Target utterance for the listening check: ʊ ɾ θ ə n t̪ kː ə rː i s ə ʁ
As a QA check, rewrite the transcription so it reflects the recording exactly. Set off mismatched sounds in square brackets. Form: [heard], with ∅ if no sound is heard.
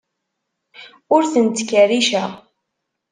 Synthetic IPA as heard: ʊ ɾ θ ə n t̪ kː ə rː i [ʃ] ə ʁ